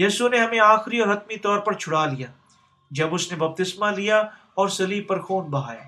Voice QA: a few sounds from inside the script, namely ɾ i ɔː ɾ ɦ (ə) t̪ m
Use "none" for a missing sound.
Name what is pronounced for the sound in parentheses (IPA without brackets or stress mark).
ɐ